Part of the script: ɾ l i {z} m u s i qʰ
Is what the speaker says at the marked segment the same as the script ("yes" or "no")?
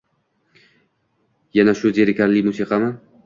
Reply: no